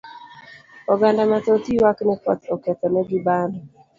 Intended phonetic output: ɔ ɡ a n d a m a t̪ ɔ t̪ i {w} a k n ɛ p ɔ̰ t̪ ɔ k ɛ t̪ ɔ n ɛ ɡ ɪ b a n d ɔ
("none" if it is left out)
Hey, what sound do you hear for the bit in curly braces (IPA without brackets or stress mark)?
w